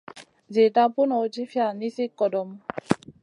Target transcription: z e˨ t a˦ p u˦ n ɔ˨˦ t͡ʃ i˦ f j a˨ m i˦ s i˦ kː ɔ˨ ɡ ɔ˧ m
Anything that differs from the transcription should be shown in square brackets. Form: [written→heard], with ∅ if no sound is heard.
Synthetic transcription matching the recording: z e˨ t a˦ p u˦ n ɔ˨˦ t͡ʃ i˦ f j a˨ [m→n] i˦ s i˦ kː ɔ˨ [ɡ→d] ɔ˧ m